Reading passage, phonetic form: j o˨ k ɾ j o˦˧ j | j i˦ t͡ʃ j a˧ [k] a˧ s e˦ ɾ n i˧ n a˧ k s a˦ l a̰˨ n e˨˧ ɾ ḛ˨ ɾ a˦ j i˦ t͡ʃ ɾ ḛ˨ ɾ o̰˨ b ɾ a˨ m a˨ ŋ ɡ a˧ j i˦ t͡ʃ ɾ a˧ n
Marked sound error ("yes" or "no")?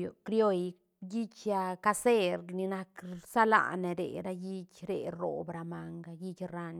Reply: no